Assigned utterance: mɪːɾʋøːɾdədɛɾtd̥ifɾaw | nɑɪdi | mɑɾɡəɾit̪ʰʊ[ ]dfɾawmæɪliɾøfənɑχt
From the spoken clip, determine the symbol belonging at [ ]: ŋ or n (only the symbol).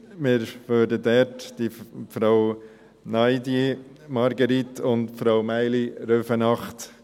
n